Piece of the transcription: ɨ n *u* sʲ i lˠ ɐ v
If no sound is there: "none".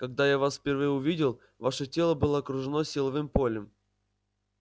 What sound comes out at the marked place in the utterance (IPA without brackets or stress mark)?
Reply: o